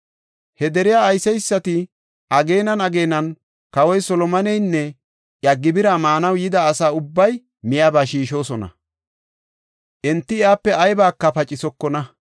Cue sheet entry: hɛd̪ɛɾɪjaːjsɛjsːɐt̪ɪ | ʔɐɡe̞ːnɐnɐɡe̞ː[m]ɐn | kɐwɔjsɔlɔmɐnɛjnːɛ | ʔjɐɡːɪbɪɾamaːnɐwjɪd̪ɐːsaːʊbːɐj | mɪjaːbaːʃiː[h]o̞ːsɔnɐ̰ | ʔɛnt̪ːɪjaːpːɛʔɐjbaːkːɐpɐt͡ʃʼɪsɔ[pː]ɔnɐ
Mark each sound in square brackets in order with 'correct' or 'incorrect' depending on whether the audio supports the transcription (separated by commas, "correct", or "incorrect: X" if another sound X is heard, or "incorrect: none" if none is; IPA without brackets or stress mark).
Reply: incorrect: n, incorrect: ʃ, incorrect: kː